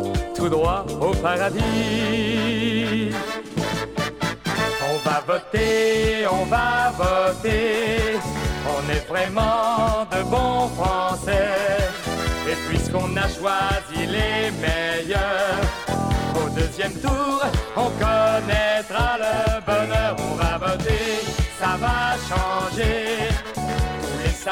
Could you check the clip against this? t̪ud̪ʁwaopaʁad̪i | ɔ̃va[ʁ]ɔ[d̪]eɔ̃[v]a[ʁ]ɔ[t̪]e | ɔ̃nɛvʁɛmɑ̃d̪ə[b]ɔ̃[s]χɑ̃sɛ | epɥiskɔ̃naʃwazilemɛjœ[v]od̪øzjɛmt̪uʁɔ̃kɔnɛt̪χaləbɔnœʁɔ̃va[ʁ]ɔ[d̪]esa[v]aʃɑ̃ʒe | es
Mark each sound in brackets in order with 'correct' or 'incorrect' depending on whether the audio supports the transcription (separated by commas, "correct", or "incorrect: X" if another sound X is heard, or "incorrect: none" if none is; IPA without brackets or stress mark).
incorrect: v, incorrect: t̪, correct, incorrect: v, correct, correct, incorrect: f, incorrect: ʁ, incorrect: v, incorrect: t̪, correct